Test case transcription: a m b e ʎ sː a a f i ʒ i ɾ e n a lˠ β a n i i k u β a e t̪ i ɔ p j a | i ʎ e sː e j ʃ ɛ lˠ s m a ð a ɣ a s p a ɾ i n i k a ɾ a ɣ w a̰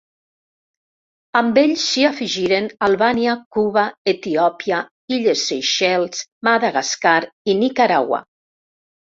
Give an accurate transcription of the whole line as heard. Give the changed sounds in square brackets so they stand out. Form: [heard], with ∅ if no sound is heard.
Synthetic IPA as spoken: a m b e ʎ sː [i] a f i ʒ i ɾ e n a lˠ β a n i [a] k u β a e t̪ i ɔ p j a | i ʎ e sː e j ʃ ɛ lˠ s m a ð a ɣ a s [k] a ɾ i n i k a ɾ a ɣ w a̰

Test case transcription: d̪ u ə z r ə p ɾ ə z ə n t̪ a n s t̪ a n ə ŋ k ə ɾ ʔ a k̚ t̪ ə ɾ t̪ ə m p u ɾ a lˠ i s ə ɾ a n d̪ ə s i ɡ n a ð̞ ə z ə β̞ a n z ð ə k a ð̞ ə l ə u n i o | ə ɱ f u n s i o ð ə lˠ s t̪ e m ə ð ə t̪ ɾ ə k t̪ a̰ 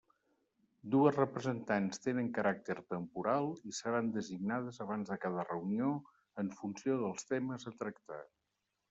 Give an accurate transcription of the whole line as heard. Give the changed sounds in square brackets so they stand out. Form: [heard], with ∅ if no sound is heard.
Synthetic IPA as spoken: d̪ u ə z r ə p ɾ ə z ə n t̪ a n s t̪ [e] n ə ŋ k ə ɾ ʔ a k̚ t̪ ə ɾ t̪ ə m p u ɾ a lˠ i s ə ɾ a n d̪ ə [z] i ɡ n a ð̞ ə z ə β̞ a n z ð ə k a ð̞ ə [r] ə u n i o | ə ɱ f u n s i o ð ə lˠ s t̪ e m ə [z] ə t̪ ɾ ə k t̪ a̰

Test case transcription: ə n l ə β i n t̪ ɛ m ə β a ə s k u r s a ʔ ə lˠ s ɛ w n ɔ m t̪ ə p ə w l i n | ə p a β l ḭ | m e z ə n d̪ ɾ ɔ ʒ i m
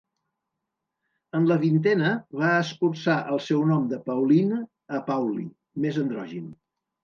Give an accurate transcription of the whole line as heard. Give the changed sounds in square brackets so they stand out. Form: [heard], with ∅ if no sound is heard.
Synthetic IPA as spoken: ə n l ə β i n t̪ ɛ [n] ə β a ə s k u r s a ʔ ə lˠ s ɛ w n ɔ m [d̪] ə p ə w l i n | ə p a [w] l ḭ | m e z ə n d̪ ɾ ɔ ʒ i [n]

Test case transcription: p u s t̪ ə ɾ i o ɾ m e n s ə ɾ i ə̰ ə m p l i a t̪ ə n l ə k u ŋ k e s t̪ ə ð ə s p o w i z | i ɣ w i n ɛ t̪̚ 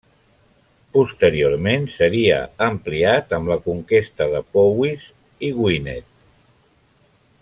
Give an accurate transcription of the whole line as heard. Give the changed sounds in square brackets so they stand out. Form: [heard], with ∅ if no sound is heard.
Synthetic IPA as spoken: p u s t̪ ə ɾ i o ɾ m e n s ə ɾ i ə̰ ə m p l i a t̪ ə [m] l ə k u ŋ k e s t̪ ə ð ə [∅] p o w i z | i ɣ w i n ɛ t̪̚

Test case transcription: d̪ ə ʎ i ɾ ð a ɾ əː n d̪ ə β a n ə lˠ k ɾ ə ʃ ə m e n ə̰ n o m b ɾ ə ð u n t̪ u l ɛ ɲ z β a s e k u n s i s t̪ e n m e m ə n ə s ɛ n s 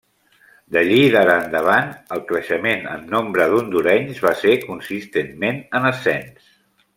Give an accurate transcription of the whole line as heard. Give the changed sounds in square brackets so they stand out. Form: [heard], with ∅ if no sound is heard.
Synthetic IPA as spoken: d̪ ə ʎ i [∅] ð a ɾ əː n d̪ ə β a n ə lˠ k ɾ ə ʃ ə m e n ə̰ [nː] o m b ɾ ə ð u n [d̪] u [ɾ] ɛ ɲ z β a s e k u n s i s t̪ e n m e [n] ə n ə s ɛ n s

